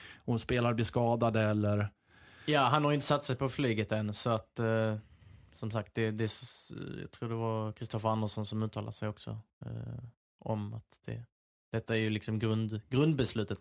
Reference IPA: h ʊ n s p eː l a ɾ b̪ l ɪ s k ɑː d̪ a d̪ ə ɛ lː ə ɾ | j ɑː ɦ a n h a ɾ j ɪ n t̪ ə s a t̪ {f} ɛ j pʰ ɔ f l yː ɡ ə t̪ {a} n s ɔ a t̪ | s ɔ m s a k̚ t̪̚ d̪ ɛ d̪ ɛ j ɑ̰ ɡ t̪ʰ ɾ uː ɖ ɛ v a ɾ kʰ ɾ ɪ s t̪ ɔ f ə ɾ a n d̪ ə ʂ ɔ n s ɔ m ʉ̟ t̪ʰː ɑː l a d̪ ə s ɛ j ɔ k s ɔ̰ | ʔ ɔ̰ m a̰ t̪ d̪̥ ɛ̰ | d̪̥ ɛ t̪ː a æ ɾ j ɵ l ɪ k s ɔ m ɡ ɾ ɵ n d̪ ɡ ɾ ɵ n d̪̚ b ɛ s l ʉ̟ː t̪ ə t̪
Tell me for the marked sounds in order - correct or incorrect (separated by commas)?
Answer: incorrect, incorrect